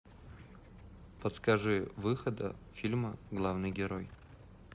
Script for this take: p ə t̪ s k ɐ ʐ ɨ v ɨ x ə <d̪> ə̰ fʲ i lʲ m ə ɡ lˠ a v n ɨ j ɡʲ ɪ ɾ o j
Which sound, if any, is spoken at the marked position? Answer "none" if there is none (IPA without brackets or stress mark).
d̪